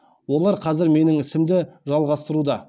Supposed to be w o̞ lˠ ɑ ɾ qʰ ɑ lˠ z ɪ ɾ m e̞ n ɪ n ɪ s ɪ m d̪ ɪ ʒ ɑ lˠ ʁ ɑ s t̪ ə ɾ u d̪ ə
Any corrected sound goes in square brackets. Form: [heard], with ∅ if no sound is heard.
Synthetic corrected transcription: w o̞ lˠ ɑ ɾ qʰ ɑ [∅] z ɪ ɾ m e̞ n ɪ [ŋ] ɪ s ɪ m d̪ ɪ ʒ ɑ lˠ ʁ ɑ s t̪ ə ɾ u d̪ [ɑ]